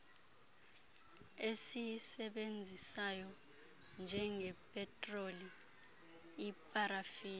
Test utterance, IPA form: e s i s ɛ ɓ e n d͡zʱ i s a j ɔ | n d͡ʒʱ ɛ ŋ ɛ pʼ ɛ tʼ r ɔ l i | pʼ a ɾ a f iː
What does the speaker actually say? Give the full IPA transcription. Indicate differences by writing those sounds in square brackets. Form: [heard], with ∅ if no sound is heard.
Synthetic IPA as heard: e s i s ɛ ɓ e n d͡zʱ i s a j ɔ | n d͡ʒʱ ɛ ŋ ɛ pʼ ɛ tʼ r [o] l i | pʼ a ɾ a f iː